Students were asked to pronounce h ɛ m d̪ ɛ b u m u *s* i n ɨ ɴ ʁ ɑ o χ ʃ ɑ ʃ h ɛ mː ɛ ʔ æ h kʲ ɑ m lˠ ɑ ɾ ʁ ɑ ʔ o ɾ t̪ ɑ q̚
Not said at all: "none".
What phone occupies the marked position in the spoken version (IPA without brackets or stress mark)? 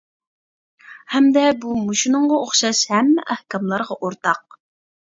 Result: ʃ